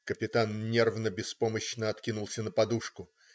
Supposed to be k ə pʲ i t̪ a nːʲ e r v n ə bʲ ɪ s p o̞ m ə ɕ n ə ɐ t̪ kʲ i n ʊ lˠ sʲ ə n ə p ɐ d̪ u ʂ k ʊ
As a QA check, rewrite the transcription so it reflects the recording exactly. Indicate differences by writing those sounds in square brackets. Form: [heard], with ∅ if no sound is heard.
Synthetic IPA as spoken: k ə pʲ [ɪ] t̪ a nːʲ e r v n ə bʲ ɪ s p o̞ m ə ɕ n ə ɐ t̪ kʲ i n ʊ lˠ sʲ ə n ə p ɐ d̪ u ʂ k ʊ